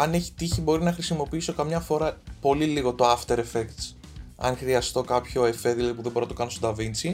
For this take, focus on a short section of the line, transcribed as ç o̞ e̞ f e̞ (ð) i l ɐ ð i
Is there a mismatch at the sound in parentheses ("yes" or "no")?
no